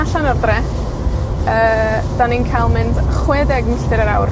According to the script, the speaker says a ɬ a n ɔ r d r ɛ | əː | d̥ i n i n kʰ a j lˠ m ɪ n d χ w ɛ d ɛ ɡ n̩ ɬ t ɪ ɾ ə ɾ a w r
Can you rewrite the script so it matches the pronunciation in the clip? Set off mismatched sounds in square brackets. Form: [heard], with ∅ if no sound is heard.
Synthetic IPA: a ɬ a n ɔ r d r ɛ | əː | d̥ [a] n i n kʰ a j lˠ m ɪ n d χ w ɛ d ɛ ɡ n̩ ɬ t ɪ ɾ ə ɾ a w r